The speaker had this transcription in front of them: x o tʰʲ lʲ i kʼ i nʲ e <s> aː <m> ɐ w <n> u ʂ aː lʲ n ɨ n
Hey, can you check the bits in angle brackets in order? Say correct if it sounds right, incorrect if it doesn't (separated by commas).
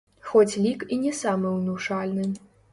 correct, correct, correct